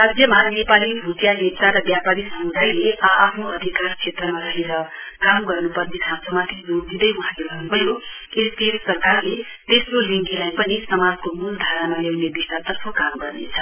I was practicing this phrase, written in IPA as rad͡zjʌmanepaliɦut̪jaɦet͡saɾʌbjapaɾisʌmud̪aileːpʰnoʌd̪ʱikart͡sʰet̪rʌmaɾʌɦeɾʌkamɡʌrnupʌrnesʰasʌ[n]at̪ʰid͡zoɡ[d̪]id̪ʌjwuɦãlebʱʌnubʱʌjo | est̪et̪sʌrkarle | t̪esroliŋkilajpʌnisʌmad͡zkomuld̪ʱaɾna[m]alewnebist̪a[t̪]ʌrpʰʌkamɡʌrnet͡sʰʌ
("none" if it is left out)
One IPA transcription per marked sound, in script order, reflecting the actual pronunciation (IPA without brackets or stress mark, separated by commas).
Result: m, d̪, m, t̪